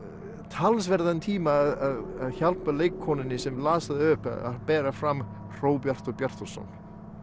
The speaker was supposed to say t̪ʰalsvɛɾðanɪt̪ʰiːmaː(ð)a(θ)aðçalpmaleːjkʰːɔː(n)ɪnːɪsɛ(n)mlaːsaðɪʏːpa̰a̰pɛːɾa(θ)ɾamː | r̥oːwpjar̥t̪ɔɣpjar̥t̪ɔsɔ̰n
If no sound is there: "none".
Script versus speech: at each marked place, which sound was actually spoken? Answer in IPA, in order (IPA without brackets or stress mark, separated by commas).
ð, ð, n, none, f